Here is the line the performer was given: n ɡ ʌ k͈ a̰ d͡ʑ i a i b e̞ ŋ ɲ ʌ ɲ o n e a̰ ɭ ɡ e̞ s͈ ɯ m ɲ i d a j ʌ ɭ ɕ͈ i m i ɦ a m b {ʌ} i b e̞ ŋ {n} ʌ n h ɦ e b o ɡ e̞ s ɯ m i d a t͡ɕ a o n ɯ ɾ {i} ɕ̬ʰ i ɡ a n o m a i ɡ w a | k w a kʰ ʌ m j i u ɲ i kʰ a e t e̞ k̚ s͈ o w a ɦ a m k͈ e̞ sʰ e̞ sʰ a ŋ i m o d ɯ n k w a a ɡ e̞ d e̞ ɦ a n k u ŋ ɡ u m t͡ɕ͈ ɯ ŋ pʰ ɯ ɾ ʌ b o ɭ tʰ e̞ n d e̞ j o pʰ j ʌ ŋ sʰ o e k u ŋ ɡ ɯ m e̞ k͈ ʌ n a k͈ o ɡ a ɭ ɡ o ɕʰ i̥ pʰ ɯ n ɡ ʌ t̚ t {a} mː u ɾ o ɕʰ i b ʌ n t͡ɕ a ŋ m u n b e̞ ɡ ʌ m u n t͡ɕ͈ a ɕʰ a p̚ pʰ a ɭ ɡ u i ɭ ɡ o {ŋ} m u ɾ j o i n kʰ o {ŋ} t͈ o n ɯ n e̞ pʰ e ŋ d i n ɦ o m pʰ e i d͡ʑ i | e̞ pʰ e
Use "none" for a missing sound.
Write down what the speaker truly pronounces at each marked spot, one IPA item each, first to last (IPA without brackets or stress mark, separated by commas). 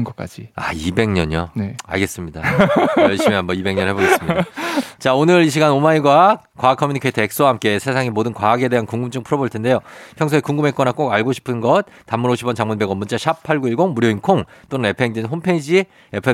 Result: ʌ, ɲ, i, a, ŋ, ŋ